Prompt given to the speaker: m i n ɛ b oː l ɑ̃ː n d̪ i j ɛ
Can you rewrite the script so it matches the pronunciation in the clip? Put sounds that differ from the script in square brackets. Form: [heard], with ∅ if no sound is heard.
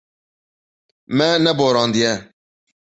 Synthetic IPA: m [ɛ] n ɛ b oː [ɾ] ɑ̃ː n d̪ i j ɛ